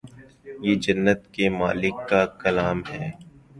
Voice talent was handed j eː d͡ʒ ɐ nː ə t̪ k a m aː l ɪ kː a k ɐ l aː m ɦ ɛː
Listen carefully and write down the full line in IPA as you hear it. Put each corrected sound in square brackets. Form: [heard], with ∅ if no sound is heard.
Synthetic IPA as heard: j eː d͡ʒ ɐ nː ə t̪ k [e] m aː l ɪ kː a k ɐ l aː m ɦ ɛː